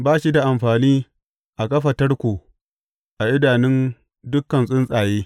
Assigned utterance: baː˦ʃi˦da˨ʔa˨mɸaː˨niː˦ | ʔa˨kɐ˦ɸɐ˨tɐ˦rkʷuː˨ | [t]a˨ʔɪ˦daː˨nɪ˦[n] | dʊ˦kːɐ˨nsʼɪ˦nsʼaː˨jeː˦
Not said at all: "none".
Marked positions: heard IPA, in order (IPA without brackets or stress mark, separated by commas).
ʔ, n